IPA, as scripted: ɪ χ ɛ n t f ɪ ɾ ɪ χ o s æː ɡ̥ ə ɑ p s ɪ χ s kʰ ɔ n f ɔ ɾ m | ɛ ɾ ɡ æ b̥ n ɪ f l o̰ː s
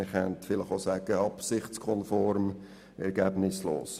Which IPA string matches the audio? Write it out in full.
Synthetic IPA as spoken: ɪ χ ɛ n t f ɪ l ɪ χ o s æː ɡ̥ ə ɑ p s ɪ χ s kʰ ɔ n f ɔ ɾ m | ɛ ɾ ɡ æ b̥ n ɪ s l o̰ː s